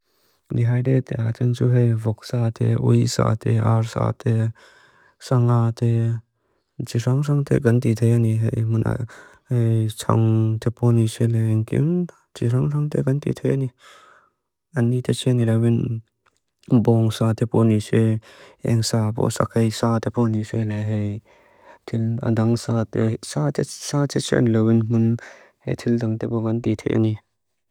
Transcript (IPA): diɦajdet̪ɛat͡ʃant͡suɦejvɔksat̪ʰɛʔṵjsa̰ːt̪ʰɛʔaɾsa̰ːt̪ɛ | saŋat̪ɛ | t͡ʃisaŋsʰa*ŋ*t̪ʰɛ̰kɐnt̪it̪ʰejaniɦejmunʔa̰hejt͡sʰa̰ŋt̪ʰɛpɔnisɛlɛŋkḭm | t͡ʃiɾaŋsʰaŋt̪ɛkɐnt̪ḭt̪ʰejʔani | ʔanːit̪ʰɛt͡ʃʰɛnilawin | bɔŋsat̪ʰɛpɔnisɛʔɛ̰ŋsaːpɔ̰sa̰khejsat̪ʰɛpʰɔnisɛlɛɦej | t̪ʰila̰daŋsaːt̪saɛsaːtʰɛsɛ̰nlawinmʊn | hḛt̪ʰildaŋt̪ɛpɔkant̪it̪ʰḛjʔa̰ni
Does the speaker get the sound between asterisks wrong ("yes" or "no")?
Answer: no